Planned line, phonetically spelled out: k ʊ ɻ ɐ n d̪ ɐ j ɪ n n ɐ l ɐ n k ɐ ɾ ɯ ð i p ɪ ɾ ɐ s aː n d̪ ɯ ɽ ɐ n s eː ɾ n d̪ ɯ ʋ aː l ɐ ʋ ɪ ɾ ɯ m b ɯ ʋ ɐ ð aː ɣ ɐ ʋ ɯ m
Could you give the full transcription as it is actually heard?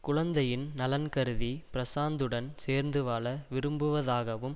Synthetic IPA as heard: k ʊ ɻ ɐ n d̪ ɐ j ɪ n n ɐ l ɐ n k ɐ ɾ ɯ ð i p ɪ ɾ ɐ s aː n d̪ ɯ ɽ ɐ n s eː ɾ n d̪ ɯ ʋ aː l ɐ ʋ ɪ ɾ ɯ m b ɯ ʋ ɐ ð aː ɣ ɐ ʋ ɯ m